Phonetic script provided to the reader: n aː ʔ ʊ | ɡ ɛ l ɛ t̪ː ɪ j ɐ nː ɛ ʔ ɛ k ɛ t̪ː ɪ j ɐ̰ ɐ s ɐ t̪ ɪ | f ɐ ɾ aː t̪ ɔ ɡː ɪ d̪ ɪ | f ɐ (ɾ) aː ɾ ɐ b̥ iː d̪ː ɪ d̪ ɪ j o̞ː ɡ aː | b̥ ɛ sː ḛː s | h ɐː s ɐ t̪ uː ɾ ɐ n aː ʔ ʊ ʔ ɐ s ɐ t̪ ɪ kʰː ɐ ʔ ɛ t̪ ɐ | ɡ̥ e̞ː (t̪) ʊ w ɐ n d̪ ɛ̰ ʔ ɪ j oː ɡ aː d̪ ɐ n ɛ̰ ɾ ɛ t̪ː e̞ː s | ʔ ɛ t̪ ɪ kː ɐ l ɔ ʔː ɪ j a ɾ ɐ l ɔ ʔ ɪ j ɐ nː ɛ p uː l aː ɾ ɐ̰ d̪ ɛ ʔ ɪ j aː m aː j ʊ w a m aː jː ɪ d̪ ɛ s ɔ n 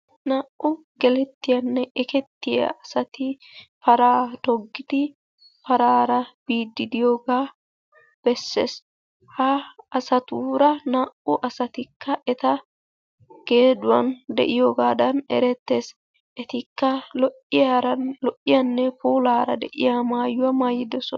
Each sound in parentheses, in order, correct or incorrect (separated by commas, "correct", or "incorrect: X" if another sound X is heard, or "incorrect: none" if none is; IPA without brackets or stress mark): correct, incorrect: d̪